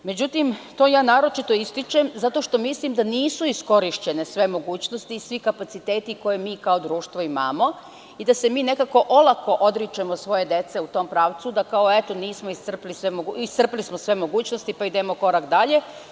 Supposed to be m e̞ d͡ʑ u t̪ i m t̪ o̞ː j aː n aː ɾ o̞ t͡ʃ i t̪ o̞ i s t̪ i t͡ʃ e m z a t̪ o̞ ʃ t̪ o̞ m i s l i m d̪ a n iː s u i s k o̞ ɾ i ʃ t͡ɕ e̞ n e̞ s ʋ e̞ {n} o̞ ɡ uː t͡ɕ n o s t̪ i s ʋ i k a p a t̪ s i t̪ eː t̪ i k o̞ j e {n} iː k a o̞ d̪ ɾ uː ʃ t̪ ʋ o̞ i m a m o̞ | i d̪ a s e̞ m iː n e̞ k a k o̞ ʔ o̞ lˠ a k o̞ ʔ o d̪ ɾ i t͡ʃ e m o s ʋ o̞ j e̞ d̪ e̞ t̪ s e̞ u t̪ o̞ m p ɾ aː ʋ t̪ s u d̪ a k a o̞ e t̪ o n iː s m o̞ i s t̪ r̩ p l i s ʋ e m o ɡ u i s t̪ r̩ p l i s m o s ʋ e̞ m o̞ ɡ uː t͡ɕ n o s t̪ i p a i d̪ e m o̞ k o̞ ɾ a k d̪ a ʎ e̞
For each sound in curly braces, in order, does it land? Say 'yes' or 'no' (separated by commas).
no, no